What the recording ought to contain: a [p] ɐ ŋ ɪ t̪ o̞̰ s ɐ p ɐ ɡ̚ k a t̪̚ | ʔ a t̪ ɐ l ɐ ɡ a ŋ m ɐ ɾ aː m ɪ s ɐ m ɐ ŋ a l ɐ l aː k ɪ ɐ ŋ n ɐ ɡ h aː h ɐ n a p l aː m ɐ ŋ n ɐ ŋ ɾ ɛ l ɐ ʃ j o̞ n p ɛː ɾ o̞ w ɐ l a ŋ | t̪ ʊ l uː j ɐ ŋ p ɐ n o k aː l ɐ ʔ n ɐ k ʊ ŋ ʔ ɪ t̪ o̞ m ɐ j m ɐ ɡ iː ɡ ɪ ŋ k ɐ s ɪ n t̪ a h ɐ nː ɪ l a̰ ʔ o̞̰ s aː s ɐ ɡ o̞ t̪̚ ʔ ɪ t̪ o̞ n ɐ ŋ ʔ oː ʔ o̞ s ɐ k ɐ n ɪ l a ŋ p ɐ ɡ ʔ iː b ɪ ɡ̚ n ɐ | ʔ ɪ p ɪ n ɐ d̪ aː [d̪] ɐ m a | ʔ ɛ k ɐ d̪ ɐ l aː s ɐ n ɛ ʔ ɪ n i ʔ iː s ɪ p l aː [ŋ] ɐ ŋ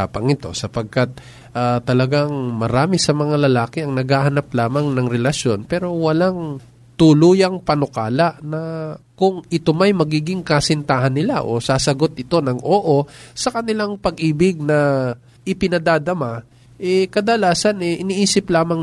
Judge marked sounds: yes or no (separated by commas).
yes, yes, no